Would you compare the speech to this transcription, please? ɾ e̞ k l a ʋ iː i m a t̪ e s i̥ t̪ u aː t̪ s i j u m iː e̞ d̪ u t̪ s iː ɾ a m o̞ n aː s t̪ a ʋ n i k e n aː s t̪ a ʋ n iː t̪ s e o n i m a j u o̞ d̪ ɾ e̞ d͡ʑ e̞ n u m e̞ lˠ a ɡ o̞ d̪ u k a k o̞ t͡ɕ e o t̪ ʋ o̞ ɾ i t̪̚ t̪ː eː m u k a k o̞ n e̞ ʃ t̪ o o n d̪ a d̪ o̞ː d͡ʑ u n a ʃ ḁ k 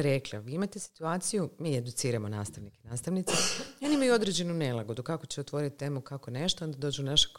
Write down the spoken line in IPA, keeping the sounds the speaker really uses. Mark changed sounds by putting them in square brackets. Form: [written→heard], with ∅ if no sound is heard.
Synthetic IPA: ɾ e̞ k l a ʋ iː i m a t̪ e s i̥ t̪ u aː t̪ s i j u m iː e̞ d̪ u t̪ s iː ɾ a m o̞ n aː s t̪ a ʋ n i k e n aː s t̪ a ʋ n [iː→i] t̪ s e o n i m a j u o̞ d̪ ɾ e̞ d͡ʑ e̞ n u [m→n] e̞ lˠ a ɡ o̞ d̪ u k a k o̞ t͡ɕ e o t̪ ʋ o̞ ɾ i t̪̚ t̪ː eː m u k a k o̞ n e̞ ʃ t̪ o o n d̪ a d̪ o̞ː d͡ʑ u n a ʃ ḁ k